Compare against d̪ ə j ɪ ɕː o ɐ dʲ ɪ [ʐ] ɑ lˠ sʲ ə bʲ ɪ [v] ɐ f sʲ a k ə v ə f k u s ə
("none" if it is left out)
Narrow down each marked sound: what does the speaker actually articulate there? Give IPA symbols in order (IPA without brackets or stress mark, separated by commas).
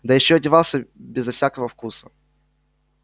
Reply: v, z